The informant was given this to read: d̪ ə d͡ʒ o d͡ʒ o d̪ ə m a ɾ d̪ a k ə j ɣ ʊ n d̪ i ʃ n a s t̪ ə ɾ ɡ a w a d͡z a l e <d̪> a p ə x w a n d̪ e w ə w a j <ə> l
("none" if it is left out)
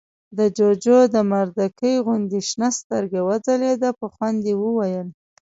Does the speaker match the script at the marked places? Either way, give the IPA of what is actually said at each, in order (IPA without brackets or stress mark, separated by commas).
d̪, ə